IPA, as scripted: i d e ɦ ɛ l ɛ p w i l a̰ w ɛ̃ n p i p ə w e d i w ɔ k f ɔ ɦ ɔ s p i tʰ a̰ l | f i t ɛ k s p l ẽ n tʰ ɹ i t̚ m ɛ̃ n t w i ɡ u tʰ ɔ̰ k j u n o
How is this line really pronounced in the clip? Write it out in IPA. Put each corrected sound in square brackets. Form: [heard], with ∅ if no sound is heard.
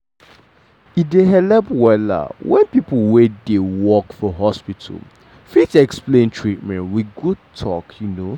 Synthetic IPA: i d e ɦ ɛ l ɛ p w [ɛ] l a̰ w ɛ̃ n p i p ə w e d [e] w ɔ k f ɔ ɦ ɔ s p i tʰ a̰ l | f i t ɛ k s p l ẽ n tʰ ɹ i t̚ m ɛ̃ n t w i ɡ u tʰ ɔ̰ k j u n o